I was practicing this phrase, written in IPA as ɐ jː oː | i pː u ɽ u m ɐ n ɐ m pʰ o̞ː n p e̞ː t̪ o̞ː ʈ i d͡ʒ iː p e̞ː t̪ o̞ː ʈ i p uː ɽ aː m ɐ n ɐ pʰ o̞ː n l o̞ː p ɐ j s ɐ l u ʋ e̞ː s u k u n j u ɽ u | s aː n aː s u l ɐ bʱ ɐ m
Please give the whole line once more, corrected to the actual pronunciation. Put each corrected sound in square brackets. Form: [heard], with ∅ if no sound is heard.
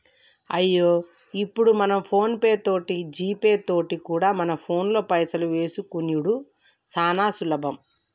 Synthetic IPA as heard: ɐ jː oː | i pː u ɽ u m ɐ n ɐ m pʰ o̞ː n p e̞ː t̪ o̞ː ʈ i d͡ʒ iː p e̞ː t̪ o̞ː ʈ i [k] uː ɽ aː m ɐ n ɐ pʰ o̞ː n l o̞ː p ɐ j s ɐ l u ʋ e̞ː s u k u n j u ɽ u | s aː n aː s u l ɐ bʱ ɐ m

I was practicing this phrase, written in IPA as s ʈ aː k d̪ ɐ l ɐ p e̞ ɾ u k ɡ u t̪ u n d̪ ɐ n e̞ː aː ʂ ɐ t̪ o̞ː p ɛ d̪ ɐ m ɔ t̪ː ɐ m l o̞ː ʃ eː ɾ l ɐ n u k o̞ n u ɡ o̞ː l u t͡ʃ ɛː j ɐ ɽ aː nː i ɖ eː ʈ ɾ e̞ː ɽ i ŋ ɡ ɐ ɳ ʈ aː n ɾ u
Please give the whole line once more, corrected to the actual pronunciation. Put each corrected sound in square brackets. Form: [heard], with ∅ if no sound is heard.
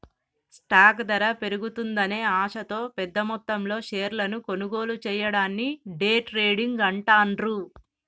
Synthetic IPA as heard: s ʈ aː k d̪ ɐ [ɾ] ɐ p e̞ ɾ u [∅] ɡ u t̪ u n d̪ ɐ n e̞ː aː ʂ ɐ t̪ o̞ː p ɛ [d̪ː] ɐ m ɔ t̪ː ɐ m l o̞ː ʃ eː ɾ l ɐ n u k o̞ n u ɡ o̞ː l u t͡ʃ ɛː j ɐ ɽ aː nː i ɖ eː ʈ ɾ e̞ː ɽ i ŋ ɡ ɐ ɳ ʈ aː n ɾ u

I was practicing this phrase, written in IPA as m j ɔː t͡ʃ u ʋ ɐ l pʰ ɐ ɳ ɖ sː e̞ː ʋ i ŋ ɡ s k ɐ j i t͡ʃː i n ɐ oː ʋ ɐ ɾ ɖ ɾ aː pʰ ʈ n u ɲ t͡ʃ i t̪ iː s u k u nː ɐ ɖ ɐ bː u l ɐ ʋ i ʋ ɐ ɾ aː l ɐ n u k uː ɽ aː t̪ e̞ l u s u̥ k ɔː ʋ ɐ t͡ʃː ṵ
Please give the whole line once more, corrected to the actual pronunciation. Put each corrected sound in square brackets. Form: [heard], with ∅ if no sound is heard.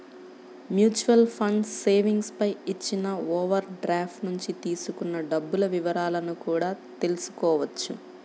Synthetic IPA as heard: m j [uː] t͡ʃ u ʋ ɐ l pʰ ɐ ɳ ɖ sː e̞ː ʋ i ŋ ɡ s [p] ɐ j i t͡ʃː i n ɐ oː ʋ ɐ ɾ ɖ ɾ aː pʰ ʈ n u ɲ t͡ʃ i t̪ iː s u k u nː ɐ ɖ ɐ bː u l ɐ ʋ i ʋ ɐ ɾ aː l ɐ n u k uː ɽ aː t̪ e̞ l u s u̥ k ɔː ʋ ɐ t͡ʃː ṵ

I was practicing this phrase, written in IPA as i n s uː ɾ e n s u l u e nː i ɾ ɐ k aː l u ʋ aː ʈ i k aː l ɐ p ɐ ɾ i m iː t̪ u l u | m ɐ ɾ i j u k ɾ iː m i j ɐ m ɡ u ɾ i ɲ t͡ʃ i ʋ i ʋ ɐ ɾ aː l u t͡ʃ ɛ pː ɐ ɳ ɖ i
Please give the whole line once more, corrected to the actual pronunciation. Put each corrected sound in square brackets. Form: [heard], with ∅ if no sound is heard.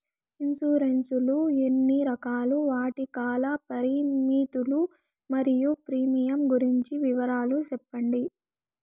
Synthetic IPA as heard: i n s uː ɾ e n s u l u e nː i ɾ ɐ k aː l u ʋ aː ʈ i k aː l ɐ p ɐ ɾ i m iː t̪ u l u | m ɐ ɾ i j u [p] ɾ iː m i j ɐ m ɡ u ɾ i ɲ t͡ʃ i ʋ i ʋ ɐ ɾ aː l u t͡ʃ ɛ pː ɐ ɳ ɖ i

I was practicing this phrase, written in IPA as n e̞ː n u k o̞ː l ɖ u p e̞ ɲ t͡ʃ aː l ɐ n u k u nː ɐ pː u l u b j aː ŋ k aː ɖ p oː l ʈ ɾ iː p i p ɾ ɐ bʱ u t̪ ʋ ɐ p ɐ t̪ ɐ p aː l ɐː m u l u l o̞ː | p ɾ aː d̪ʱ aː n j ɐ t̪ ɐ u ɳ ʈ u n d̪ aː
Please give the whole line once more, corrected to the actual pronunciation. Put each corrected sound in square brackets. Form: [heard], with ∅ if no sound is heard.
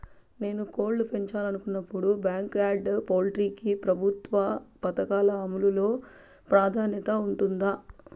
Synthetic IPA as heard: n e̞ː n u k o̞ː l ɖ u p e̞ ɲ t͡ʃ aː l ɐ n u k u nː ɐ pː u [ɽ] u b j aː ŋ k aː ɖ p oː l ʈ ɾ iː [k] i p ɾ ɐ bʱ u t̪ ʋ ɐ p ɐ t̪ ɐ [k] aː l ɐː m u l u l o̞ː | p ɾ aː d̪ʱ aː n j ɐ t̪ ɐ u ɳ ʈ u n d̪ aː

